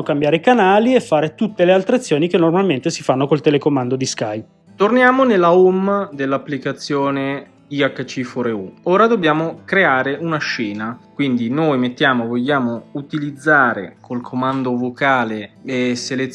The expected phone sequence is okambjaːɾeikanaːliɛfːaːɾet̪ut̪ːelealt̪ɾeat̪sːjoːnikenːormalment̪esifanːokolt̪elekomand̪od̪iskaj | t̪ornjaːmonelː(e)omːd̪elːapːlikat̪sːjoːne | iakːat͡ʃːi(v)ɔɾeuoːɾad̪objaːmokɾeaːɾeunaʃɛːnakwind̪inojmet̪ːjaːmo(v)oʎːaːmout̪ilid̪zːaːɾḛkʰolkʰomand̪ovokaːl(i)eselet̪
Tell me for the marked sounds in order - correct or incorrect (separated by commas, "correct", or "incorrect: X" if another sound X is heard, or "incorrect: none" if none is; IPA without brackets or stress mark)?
incorrect: a, incorrect: f, correct, incorrect: e